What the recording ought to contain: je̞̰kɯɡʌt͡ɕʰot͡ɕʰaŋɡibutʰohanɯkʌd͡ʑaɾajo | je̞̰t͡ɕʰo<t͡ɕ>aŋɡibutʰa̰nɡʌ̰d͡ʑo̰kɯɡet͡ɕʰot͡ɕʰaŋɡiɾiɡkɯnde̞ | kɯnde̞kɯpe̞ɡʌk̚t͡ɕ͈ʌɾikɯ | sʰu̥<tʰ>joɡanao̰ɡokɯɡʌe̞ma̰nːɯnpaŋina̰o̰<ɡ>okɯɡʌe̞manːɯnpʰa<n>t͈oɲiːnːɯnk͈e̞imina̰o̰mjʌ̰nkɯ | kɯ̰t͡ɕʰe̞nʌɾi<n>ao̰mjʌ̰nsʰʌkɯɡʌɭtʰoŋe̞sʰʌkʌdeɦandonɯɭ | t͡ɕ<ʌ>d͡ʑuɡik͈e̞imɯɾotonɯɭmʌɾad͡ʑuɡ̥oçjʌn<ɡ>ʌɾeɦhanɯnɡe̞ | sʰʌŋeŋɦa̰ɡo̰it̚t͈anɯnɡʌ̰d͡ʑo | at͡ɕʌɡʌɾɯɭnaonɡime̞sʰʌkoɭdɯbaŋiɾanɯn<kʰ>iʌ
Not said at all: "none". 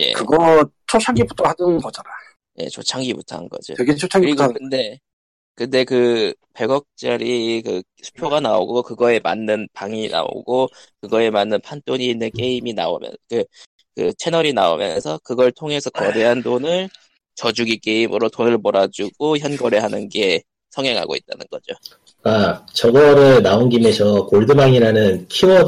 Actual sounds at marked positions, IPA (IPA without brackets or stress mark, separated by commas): t͡ɕʰ, pʰ, ɡ, n, n, ʌ, ɡ, kʰ